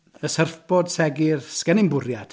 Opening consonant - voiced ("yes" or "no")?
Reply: no